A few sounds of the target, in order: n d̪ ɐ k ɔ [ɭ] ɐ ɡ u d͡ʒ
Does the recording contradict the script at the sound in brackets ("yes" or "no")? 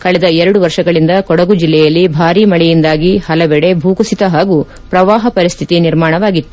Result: yes